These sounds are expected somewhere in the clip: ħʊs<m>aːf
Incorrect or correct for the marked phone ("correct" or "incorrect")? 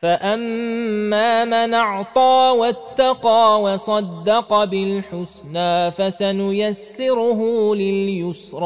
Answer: incorrect